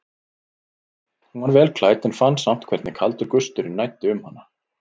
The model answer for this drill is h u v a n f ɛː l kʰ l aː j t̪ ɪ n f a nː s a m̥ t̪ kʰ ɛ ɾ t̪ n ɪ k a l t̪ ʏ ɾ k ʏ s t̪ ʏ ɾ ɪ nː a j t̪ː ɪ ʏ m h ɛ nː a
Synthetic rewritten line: h u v a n v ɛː l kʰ l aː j t̪ ɪ n f a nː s a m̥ t̪ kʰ ɛ ɾ t̪ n ɪ kʰ a l t̪ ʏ ɾ k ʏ s t̪ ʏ ɾ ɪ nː a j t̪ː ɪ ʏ m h a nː a